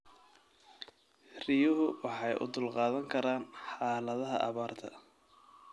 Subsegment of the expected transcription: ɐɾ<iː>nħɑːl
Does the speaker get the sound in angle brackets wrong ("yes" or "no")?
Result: yes